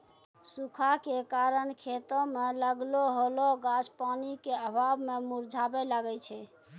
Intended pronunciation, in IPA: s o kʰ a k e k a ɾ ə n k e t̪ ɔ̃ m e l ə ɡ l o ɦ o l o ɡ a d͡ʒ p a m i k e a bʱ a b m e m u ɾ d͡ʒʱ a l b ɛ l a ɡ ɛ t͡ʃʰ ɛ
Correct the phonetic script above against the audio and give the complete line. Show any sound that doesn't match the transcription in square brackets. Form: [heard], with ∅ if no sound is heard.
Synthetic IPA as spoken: s [u] kʰ a k e k a ɾ ə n [kʰ] e t̪ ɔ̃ m e l ə ɡ l o ɦ o l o ɡ a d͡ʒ p a [n] i k e [ə] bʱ a b m e m u ɾ d͡ʒʱ a [∅] b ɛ l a ɡ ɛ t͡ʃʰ ɛ

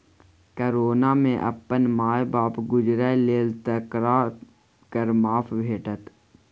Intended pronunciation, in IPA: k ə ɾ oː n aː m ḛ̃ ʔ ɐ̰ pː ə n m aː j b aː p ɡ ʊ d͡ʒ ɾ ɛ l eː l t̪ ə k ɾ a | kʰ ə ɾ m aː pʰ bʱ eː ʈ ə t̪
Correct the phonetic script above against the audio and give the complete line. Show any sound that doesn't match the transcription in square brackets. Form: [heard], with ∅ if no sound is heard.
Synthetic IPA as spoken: k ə ɾ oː n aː m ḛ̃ ʔ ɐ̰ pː ə n m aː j b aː p ɡ ʊ d͡ʒ ɾ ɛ l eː l t̪ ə k ɾ a | [k] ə ɾ m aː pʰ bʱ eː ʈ ə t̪

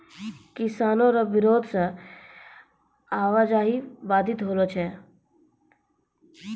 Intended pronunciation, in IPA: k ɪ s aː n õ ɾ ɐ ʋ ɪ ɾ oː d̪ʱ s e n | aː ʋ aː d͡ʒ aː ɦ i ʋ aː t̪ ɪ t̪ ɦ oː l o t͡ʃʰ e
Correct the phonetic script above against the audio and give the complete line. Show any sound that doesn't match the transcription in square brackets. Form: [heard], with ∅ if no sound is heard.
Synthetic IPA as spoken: k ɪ s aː n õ ɾ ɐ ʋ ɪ ɾ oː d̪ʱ s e [∅] | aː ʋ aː d͡ʒ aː ɦ i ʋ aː [d̪] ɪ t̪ ɦ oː l o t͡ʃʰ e

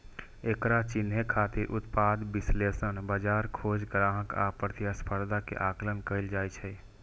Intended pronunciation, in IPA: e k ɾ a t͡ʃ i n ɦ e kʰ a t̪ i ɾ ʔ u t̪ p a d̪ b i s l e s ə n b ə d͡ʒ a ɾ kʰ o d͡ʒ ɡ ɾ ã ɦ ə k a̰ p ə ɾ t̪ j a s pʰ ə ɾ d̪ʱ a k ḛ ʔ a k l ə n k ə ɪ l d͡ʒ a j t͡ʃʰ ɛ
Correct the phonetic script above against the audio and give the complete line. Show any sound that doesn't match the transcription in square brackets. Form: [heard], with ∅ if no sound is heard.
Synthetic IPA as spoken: e k ɾ a t͡ʃ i n ɦ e kʰ a t̪ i ɾ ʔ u t̪ p a d̪ b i s l e s ə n b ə d͡ʒ a ɾ kʰ o d͡ʒ ɡ ɾ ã ɦ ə k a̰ p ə ɾ t̪ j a s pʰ ə ɾ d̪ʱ a k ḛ ʔ a k l ə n k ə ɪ l d͡ʒ a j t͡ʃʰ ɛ

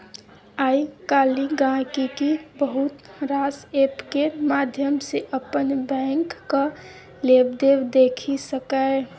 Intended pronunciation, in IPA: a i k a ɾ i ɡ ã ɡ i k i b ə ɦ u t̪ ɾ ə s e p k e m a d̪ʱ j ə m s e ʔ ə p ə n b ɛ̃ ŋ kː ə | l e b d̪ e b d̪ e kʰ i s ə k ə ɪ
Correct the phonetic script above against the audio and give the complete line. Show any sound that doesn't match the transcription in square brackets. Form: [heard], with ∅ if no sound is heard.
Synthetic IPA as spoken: a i k a [l] i ɡ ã [k] i k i b ə ɦ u t̪ ɾ [a] s e p k e m a d̪ʱ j ə m s e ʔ ə p ə n b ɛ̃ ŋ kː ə | l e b d̪ e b d̪ e kʰ i s ə k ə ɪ

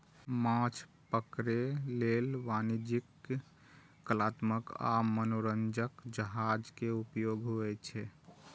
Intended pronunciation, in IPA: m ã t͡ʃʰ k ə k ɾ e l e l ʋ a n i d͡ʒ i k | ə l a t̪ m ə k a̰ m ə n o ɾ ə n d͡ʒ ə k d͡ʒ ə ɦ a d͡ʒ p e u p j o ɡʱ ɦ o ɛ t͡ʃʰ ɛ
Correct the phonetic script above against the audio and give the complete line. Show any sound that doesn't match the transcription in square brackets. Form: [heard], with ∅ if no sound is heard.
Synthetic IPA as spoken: m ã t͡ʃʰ [p] ə k ɾ e l e l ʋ a n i d͡ʒ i k | ə l a t̪ m ə k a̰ m ə n o ɾ ə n d͡ʒ ə k d͡ʒ ə ɦ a d͡ʒ [k] e u p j o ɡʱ ɦ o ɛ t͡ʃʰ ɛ

